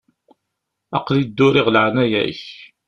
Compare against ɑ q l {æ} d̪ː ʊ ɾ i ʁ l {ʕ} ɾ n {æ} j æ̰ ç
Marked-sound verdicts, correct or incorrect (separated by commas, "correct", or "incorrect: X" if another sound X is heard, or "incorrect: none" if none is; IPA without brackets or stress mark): incorrect: i, correct, correct